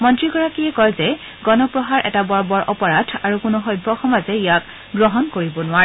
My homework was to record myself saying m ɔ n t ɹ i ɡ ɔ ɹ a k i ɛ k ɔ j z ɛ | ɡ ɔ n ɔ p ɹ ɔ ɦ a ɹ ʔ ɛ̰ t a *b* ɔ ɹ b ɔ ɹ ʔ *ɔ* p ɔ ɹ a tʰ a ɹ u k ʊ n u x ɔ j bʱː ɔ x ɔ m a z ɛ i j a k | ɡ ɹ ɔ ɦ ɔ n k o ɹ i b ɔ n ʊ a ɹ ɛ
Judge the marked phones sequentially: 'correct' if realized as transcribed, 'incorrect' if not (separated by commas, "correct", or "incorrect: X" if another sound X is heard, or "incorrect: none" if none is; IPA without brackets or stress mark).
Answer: correct, correct